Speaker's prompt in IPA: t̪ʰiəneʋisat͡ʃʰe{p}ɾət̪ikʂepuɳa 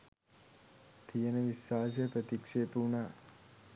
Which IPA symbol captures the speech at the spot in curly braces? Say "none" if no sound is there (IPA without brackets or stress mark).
p